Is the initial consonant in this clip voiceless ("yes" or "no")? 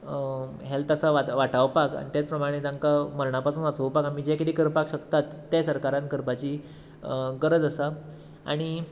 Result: no